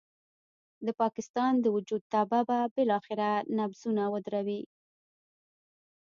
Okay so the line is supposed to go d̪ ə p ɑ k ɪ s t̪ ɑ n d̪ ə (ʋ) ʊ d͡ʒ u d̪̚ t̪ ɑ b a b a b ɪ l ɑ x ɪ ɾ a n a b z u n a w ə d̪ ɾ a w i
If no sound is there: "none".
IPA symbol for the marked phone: w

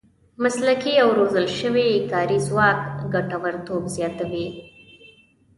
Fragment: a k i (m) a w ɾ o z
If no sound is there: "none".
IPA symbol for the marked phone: none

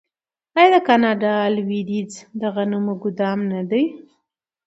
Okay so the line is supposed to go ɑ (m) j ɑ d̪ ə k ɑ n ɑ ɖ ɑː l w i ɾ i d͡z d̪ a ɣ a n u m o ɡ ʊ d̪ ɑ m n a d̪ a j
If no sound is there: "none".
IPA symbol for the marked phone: none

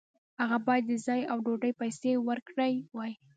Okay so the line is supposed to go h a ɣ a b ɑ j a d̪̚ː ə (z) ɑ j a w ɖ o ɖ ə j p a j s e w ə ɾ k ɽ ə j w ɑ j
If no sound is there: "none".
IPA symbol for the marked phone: z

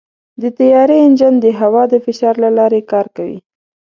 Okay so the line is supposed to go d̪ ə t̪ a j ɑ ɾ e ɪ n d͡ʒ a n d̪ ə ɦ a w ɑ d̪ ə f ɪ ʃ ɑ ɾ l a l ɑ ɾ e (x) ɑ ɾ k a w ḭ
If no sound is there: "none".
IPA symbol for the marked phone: k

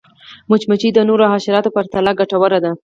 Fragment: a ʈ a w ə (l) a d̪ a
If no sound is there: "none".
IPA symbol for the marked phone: ɾ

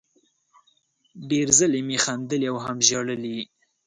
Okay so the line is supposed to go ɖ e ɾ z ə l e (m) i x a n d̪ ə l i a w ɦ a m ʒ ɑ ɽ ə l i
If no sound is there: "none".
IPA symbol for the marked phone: m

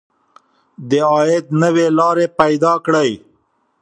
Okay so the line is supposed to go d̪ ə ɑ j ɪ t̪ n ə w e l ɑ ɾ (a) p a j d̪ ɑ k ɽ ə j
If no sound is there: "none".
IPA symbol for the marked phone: e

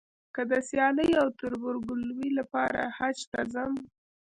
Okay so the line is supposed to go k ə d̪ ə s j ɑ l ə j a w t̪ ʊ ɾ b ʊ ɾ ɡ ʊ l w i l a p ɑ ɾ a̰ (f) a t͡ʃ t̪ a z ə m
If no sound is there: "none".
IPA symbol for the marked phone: h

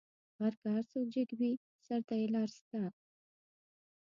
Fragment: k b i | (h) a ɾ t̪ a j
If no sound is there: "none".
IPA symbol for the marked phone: s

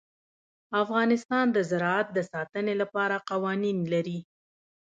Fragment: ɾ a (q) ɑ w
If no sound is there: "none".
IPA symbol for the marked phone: q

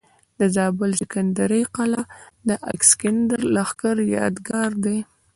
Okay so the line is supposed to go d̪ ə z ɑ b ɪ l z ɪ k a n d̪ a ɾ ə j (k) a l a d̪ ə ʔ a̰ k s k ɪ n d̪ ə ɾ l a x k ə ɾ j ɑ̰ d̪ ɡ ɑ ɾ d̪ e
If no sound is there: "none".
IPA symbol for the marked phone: q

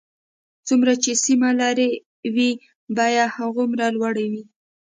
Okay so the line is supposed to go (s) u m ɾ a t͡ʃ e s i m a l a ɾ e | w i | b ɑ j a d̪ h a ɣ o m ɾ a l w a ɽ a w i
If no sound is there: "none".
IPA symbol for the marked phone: t͡s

